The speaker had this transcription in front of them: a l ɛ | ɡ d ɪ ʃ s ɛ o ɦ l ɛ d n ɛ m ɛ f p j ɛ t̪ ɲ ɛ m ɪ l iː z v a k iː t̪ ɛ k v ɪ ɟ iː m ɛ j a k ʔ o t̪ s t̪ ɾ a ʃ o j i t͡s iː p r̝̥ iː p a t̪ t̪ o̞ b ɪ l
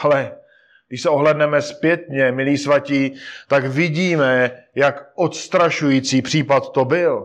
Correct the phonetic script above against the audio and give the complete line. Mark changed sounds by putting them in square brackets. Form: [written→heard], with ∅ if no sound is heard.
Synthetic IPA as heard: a l ɛ | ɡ d ɪ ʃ s ɛ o ɦ l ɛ d n ɛ m ɛ [f→s] p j ɛ t̪ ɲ ɛ m ɪ l iː [z→s] v a [k→c] iː t̪ [ɛ→a] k v ɪ ɟ iː m ɛ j a k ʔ o t̪ s t̪ ɾ a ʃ [o→u] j i t͡s iː p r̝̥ iː p a t̪ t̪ o̞ b ɪ l